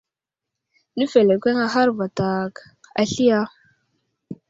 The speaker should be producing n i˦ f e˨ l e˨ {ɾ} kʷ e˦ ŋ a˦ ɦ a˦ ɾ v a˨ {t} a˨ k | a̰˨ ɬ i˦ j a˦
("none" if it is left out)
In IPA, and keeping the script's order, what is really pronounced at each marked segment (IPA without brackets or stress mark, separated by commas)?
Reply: none, t